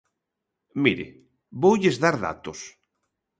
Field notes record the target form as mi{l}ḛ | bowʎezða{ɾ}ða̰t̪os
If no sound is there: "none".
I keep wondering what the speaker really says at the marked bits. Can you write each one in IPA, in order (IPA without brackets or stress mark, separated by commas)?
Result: ɾ, ɾ